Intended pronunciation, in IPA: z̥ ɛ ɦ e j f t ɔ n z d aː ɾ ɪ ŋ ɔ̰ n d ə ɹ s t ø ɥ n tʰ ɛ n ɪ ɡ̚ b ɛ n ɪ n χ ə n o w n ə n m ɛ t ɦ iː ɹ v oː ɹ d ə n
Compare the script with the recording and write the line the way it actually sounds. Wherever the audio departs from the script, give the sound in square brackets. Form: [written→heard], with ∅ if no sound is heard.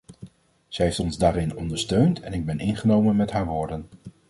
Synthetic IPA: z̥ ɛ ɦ e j f t ɔ n z d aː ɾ ɪ [ŋ→n] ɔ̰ n d ə ɹ s t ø ɥ n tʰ ɛ n ɪ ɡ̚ b ɛ n ɪ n χ ə n o w [n→m] ə n m ɛ t ɦ [iː→aː] ɹ [v→ʋ] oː ɹ d ə n